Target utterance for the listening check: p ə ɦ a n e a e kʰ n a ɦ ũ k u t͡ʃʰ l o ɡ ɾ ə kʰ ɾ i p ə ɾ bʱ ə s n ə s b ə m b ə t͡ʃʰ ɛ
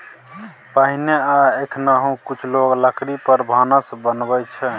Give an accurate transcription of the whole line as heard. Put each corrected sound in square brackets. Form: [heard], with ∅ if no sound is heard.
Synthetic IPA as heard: p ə ɦ [i] n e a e kʰ n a ɦ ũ k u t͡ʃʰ l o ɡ [l] ə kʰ ɾ i p ə ɾ bʱ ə [∅] n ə s b ə [n] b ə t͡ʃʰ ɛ